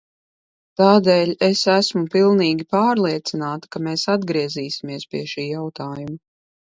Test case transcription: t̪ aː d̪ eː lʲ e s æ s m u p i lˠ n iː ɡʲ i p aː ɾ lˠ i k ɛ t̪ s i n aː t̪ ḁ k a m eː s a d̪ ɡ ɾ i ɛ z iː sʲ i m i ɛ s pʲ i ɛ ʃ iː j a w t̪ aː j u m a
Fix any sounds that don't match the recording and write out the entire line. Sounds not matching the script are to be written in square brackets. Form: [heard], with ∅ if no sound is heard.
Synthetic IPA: t̪ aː d̪ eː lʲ e s æ s m u p i lˠ n iː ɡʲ i p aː ɾ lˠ i [∅] ɛ t̪ s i n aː t̪ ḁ k a m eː s a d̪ ɡ ɾ i ɛ z iː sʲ i m i ɛ s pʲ i ɛ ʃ iː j a w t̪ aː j u m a